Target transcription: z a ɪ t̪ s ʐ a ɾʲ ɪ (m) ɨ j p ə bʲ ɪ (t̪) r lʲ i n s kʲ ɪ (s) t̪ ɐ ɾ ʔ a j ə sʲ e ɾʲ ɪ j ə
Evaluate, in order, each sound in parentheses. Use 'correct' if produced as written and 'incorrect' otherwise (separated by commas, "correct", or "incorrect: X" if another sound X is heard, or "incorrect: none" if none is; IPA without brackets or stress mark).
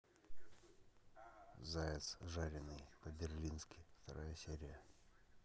incorrect: n, incorrect: none, incorrect: f